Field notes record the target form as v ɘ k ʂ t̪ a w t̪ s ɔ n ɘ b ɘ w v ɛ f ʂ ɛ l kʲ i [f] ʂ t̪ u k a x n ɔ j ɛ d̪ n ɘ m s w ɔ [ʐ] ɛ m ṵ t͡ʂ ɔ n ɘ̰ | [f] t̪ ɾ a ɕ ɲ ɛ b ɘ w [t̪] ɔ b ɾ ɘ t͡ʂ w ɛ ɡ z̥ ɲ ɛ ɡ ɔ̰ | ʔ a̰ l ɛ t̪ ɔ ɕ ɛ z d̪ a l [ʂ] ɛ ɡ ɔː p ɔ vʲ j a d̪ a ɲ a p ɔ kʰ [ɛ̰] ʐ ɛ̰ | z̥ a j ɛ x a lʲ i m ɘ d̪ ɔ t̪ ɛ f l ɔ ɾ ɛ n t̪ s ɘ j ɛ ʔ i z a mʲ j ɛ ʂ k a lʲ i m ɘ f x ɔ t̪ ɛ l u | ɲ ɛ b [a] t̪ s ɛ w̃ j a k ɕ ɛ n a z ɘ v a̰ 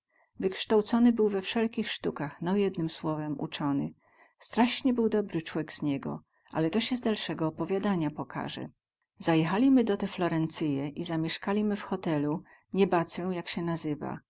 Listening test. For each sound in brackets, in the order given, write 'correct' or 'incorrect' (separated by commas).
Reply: incorrect, incorrect, incorrect, incorrect, correct, incorrect, correct